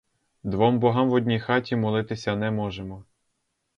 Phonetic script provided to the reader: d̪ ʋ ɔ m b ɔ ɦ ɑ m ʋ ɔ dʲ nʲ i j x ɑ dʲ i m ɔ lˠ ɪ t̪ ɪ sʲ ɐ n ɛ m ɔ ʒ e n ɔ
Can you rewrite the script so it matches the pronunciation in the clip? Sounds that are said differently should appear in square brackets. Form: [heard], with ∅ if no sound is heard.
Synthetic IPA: d̪ ʋ ɔ m b ɔ ɦ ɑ m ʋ ɔ dʲ nʲ i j x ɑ [tʲ] i m ɔ lˠ ɪ t̪ ɪ sʲ ɐ n ɛ m ɔ ʒ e [m] ɔ